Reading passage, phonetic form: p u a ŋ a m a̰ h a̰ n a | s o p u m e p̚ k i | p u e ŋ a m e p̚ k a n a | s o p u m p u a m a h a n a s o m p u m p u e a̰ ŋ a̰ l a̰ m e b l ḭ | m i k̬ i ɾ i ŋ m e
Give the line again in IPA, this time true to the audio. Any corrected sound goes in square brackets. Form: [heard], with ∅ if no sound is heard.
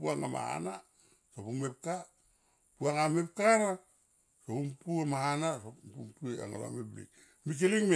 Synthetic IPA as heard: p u a ŋ a m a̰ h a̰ n a | s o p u m e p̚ k [a] | p u [a] ŋ a m e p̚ k a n a | s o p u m p u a m a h a n a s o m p u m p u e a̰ ŋ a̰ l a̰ m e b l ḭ | m i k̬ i [l] i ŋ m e

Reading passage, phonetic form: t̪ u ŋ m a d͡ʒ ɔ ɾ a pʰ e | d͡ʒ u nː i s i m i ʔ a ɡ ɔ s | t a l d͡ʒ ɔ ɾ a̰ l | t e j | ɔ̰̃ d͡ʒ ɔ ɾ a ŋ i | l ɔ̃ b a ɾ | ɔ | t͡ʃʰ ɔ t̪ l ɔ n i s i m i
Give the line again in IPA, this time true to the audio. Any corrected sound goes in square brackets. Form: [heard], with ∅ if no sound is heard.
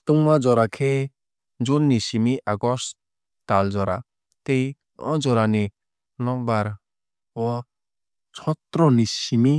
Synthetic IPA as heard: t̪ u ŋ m a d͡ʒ ɔ ɾ a [kʰ] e | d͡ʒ u nː i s i m i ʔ a ɡ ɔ s | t a l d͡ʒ ɔ ɾ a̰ [∅] | t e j | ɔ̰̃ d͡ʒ ɔ ɾ a [n] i | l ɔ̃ b a ɾ | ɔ | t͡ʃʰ ɔ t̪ [ɾ] ɔ n i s i m i

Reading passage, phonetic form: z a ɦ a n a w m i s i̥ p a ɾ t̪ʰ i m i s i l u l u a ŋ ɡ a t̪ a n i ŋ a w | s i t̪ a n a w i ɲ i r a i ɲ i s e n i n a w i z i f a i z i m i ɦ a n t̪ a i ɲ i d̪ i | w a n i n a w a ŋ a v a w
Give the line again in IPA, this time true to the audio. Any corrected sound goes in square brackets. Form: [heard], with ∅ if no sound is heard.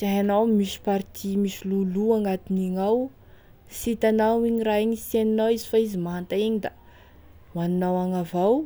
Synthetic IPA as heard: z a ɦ a n a w m i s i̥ p a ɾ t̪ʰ i m i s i l u l u a ŋ ɡ a t̪ [i] n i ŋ a w | s i t̪ a n a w i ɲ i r a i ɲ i s e n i n a w i z i f a i z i m [a] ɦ a n t̪ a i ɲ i d̪ [a] | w a n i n a w a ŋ a v a w

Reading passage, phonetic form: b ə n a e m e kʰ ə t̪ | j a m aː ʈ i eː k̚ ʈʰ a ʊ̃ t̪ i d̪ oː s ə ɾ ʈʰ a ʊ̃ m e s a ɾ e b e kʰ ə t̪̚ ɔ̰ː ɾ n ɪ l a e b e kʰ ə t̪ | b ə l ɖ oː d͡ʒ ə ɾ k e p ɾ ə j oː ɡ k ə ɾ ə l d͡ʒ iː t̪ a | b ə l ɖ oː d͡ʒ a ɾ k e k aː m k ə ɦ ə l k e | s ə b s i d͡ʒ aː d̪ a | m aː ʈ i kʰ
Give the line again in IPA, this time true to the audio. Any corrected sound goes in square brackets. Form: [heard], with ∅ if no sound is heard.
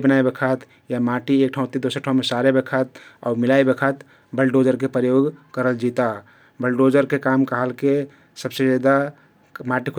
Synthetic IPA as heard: b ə n a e [b] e kʰ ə t̪ | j a m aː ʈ i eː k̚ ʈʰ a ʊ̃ t̪ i d̪ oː s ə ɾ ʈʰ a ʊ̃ m e s a ɾ e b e kʰ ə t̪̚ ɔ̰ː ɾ [m] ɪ l a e b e kʰ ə t̪ | b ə l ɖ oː d͡ʒ ə ɾ k e p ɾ ə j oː ɡ k ə ɾ ə l d͡ʒ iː t̪ a | b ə l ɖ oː d͡ʒ [ə] ɾ k e k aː m k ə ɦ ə l k e | s ə b s [e] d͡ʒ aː d̪ a | m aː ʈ i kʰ

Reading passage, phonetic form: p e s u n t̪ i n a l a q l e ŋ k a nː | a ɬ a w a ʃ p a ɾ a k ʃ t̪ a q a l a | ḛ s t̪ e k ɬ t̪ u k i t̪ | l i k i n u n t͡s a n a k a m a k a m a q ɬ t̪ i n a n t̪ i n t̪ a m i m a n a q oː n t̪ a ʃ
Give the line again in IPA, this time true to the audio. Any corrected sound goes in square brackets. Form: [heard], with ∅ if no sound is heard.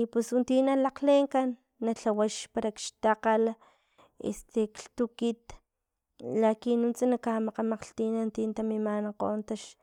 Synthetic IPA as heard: p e s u n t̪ i n a l a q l e ŋ k a nː | a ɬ a w a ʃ p a ɾ a k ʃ t̪ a q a l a | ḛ s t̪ e k ɬ t̪ u k i t̪ | l [a] k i n u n t͡s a n a k a m a [q] a m a q ɬ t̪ i n a n t̪ i n t̪ a m i m a n a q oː n t̪ a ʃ

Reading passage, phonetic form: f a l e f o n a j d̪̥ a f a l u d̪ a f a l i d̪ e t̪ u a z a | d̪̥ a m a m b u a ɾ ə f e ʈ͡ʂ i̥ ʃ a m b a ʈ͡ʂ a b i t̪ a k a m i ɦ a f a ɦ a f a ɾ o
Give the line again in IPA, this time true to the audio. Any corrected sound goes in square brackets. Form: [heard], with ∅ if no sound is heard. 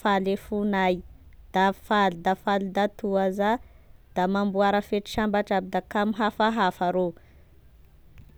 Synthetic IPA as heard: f a l e f [u] n a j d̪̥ a f a l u d̪ a f a l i d̪ [a] t̪ u a z a | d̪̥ a m a m b u a ɾ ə f e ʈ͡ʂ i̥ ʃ a m b a ʈ͡ʂ a b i [d̪] a k a m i ɦ a f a ɦ a f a ɾ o

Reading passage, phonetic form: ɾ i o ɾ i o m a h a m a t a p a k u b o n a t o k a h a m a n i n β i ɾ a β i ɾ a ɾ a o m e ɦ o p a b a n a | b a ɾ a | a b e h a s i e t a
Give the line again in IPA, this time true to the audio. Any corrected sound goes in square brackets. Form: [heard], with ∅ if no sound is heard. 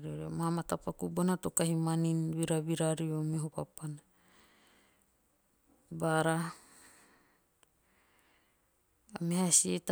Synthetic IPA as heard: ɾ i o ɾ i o m a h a m a t a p a k u b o n a t o k a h [i] m a n i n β i ɾ a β i ɾ a ɾ [i] o m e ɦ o p a [p] a n a | b a ɾ a | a [m] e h a s i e t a

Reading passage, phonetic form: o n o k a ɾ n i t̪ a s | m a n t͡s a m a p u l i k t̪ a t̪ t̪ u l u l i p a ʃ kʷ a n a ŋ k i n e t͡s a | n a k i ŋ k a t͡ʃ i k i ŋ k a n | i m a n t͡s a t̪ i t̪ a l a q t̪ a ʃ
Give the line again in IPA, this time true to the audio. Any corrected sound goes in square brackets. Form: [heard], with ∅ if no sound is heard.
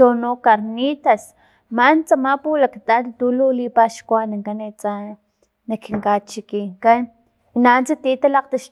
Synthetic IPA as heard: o n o k a ɾ n i t̪ a s | m a n t͡s a m a p u l [a] k t̪ a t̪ t̪ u l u l i p a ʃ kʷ a n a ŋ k [a] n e t͡s a | n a k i ŋ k a t͡ʃ i k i ŋ k a n | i [n] a n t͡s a t̪ i t̪ a l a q t̪ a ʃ

